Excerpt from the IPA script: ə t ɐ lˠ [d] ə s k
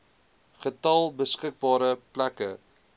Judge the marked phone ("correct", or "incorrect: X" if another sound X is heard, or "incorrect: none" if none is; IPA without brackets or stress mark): incorrect: b